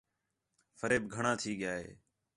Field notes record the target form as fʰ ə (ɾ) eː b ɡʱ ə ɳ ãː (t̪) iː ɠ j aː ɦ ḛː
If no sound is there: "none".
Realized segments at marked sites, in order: ɾ, t̪ʰ

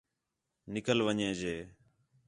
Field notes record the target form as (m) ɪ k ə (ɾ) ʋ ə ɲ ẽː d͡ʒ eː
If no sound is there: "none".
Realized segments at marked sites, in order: n, l

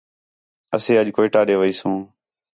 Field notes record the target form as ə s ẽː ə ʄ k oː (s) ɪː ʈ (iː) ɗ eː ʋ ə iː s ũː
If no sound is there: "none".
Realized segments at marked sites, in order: none, aː

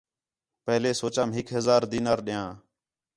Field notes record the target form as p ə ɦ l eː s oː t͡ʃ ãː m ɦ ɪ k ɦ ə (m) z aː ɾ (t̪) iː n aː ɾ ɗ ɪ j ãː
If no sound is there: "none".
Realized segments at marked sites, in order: none, d̪

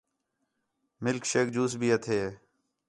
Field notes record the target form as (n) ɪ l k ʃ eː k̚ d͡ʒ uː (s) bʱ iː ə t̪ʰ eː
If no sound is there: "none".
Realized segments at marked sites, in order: m, s

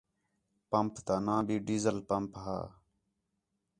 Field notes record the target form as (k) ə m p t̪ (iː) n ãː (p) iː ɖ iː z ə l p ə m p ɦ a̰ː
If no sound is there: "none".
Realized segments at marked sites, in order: p, aː, b

